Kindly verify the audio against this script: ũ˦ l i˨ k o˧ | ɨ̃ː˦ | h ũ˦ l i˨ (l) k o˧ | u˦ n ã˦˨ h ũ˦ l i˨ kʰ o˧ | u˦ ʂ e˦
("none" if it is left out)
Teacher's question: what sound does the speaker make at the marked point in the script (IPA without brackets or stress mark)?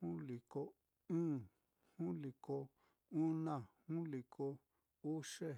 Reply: none